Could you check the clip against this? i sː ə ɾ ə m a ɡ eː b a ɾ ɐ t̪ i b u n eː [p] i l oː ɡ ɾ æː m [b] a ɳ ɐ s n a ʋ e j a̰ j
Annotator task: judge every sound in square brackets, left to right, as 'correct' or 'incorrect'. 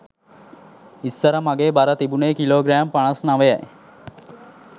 incorrect, incorrect

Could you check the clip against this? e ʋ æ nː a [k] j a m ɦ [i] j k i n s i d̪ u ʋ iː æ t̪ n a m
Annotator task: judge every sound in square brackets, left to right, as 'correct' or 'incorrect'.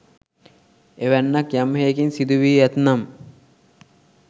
correct, incorrect

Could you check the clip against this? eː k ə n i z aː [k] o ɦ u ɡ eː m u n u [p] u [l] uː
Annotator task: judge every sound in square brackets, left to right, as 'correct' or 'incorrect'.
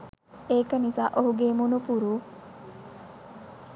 incorrect, correct, incorrect

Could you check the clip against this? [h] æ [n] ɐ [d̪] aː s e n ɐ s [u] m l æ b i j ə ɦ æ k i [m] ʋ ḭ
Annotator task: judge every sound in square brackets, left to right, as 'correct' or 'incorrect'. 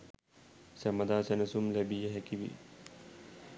incorrect, incorrect, correct, correct, incorrect

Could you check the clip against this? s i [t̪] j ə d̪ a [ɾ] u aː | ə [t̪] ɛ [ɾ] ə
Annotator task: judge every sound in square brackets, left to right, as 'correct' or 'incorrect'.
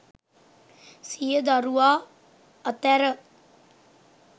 incorrect, correct, correct, correct

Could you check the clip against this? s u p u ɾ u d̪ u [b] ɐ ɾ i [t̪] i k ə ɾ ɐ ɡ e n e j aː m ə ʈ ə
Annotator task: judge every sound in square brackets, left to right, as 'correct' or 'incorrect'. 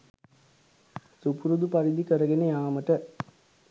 incorrect, incorrect

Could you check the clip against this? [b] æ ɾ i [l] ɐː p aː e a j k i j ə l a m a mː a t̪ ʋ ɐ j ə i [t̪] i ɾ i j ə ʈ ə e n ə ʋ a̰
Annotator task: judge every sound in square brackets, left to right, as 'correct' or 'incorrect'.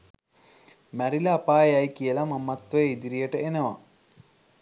incorrect, correct, incorrect

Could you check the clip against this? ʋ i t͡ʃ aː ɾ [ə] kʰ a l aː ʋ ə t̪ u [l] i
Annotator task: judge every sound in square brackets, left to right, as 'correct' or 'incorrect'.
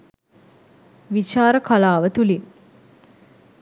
correct, correct

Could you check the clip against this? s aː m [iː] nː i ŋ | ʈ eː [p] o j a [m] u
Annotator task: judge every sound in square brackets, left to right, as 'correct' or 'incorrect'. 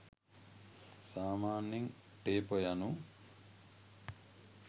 incorrect, correct, incorrect

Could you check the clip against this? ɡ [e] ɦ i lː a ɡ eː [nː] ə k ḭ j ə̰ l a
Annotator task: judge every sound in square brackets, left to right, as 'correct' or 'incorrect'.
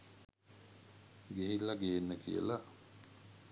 correct, correct

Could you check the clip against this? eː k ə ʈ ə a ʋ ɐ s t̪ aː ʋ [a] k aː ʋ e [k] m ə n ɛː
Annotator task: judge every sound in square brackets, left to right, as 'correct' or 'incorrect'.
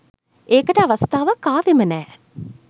incorrect, incorrect

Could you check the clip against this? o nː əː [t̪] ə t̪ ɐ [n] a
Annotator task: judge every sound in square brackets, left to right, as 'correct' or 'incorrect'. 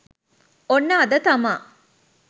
incorrect, incorrect

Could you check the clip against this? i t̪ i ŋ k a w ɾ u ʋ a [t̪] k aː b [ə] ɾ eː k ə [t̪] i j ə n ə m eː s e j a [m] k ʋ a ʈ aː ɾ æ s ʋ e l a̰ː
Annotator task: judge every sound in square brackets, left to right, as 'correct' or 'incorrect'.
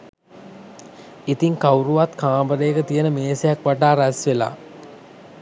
correct, correct, correct, incorrect

